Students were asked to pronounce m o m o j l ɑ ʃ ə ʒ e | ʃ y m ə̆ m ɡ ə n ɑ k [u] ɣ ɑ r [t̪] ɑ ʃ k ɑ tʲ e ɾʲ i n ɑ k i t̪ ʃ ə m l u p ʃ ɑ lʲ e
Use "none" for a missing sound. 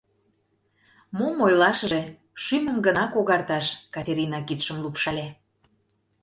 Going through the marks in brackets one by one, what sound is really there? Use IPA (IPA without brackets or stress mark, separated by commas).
o, t̪